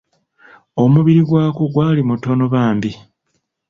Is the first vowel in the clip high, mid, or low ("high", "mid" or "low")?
mid